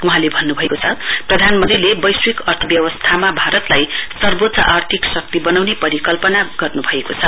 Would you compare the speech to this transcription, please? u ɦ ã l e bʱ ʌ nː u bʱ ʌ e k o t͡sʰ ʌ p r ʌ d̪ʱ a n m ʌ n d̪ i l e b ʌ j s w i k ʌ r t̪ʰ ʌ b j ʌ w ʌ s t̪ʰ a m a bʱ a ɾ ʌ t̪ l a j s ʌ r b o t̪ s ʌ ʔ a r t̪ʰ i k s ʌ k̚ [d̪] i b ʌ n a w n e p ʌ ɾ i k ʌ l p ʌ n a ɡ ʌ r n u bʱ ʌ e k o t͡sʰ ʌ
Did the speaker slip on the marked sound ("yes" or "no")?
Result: yes